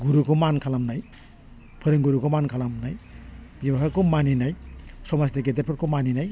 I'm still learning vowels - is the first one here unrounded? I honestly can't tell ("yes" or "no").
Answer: no